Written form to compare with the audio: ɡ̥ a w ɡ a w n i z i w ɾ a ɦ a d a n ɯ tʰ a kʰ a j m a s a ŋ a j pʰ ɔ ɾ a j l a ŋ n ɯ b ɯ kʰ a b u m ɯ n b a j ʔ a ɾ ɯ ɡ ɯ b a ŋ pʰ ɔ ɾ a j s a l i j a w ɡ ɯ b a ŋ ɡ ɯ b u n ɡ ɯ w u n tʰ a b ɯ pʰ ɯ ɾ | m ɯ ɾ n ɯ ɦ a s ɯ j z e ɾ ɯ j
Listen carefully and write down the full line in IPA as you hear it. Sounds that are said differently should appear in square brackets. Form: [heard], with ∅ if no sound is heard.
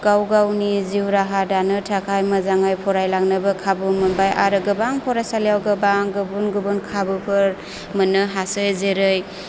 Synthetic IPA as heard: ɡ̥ a w ɡ a w n i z i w ɾ a ɦ a d a n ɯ tʰ a kʰ a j m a [z] a ŋ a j pʰ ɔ ɾ a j l a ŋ n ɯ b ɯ kʰ a b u m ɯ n b a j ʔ a ɾ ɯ ɡ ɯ b a ŋ pʰ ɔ ɾ a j s a l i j a w ɡ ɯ b a ŋ ɡ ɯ b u n ɡ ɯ [b] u n [kʰ] a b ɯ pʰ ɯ ɾ | m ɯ [∅] n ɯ ɦ a s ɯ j z e ɾ ɯ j